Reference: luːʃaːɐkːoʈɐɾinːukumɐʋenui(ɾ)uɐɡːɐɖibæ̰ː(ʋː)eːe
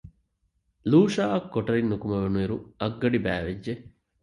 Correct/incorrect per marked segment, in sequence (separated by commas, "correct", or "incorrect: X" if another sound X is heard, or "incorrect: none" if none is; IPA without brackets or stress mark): correct, incorrect: ʋ